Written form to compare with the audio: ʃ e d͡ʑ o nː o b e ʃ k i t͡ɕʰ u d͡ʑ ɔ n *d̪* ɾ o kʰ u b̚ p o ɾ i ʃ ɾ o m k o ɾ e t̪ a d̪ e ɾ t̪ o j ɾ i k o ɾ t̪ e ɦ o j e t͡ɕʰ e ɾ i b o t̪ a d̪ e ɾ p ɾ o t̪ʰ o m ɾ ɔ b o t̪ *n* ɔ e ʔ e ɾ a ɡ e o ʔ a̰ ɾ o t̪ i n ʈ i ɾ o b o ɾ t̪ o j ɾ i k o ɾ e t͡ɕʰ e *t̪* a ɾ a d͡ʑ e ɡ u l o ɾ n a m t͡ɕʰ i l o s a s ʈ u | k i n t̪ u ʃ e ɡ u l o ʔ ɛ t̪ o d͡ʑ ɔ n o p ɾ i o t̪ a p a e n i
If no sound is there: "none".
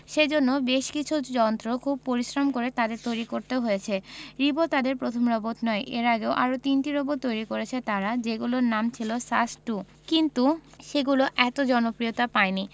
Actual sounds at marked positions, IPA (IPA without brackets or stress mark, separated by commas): t̪, n, t̪